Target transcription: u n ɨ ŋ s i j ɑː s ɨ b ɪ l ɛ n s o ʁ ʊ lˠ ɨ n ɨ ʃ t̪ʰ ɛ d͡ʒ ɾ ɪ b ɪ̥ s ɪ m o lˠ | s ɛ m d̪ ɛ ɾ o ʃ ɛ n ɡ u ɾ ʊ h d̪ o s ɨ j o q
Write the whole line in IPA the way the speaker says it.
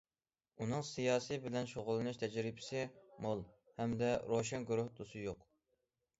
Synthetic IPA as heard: u n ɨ ŋ s i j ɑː s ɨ b ɪ l ɛ n ʃ o ʁ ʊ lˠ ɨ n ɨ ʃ t̪ʰ ɛ d͡ʒ ɾ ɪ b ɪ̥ s ɪ m o lˠ | h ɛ m d̪ ɛ ɾ o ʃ ɛ n ɡ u ɾ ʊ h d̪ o s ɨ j o q

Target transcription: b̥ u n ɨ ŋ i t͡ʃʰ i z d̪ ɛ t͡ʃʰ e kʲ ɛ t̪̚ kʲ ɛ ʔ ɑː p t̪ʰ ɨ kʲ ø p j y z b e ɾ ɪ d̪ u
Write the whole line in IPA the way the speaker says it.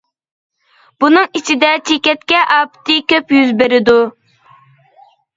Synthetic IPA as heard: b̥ u n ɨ ŋ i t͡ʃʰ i d̪ ɛ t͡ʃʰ e kʲ ɛ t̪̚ kʲ ɛ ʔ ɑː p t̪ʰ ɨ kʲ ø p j y z b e ɾ ɪ d̪ u

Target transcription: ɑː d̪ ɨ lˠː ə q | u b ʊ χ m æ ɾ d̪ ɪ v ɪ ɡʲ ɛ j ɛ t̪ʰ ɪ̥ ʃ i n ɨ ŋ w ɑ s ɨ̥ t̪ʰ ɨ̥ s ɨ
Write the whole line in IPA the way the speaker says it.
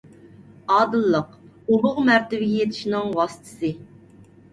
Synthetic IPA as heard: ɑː d̪ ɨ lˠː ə q | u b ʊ ʁ m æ ɾ t̪ ɪ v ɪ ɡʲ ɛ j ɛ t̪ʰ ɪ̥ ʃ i n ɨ ŋ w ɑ s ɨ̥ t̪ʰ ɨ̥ s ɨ

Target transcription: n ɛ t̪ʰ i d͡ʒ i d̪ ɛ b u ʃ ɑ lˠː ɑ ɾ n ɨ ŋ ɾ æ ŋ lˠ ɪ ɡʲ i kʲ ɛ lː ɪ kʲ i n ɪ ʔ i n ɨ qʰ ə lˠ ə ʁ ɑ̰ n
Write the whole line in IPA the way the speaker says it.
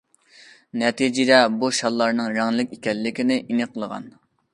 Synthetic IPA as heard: n ɛ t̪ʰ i d͡ʒ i d̪ ɛ b u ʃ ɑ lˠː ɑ ɾ n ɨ ŋ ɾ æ ŋ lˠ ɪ kʲ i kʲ ɛ lː ɪ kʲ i n ɪ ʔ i n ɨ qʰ ə lˠ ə ʁ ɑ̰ n

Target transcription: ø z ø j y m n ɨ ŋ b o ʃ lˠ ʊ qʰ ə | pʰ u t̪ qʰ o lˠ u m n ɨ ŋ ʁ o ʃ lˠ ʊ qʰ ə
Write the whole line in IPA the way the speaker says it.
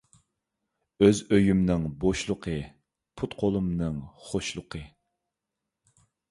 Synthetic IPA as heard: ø z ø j y m n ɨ ŋ b o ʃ lˠ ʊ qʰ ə | pʰ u t̪ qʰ o lˠ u m n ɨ ŋ χ o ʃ lˠ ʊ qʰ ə

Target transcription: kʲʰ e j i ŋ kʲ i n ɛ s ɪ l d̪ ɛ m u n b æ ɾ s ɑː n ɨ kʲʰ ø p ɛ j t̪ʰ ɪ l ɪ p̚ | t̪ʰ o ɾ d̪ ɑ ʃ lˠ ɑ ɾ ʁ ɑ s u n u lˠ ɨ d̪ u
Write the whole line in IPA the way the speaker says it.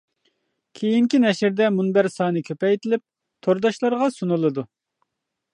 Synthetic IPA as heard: kʲʰ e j i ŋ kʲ i n ɛ ʃ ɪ ɾ d̪ ɛ m u n b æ ɾ s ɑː n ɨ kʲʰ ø p ɛ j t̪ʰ ɪ l ɪ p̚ | t̪ʰ o ɾ d̪ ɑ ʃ lˠ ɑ ɾ ʁ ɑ s u n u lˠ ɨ d̪ u

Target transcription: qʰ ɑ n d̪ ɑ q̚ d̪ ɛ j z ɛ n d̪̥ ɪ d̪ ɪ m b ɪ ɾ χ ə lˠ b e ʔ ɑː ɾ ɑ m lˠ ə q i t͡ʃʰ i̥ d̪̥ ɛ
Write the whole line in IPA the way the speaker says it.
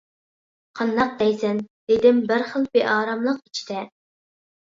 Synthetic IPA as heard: qʰ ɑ n d̪ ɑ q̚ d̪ ɛ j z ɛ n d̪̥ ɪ d̪ ɪ m b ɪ ɾ χ ə lˠ b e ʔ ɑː ɾ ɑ m lˠ ə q i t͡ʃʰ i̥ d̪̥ ɛ

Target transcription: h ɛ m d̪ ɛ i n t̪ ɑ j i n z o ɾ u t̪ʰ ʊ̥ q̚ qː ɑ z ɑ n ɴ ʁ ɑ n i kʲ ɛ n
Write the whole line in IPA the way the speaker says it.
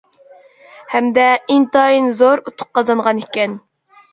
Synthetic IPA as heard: h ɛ m d̪ ɛ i n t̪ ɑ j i n z o ɾ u t̪ʰ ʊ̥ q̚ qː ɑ z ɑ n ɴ ʁ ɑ n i kʲ ɛ n

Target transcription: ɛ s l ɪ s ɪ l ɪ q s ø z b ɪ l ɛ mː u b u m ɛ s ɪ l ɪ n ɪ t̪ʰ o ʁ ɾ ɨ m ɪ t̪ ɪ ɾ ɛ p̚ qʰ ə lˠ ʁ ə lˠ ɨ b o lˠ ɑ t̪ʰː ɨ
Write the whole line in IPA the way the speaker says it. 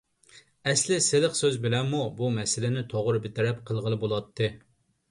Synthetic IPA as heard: ɛ s l ɪ s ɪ l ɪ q s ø z b ɪ l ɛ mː u b u m ɛ s ɪ l ɪ n ɪ t̪ʰ o ʁ ɾ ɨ b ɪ t̪ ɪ ɾ ɛ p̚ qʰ ə lˠ ʁ ə lˠ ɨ b o lˠ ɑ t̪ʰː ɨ

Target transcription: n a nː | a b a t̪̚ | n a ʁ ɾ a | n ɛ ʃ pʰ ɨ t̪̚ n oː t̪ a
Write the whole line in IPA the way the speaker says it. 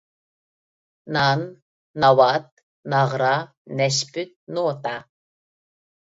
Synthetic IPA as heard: n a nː | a w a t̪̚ | n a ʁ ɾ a | n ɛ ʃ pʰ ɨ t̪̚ n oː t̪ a

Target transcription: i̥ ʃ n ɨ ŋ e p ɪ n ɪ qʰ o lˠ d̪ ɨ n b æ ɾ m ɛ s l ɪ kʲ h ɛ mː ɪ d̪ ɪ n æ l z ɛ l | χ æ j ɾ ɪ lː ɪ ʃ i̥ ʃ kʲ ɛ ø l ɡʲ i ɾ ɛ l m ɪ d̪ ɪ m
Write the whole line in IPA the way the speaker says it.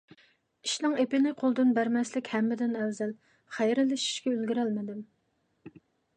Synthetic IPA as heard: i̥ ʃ n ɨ ŋ e p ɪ n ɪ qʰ o lˠ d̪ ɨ n b æ ɾ m ɛ s l ɪ kʲ h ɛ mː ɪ d̪ ɪ n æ l z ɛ l | χ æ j ɾ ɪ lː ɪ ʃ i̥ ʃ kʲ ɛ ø l ɡʲ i ɾ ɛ l m ɪ d̪ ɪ m

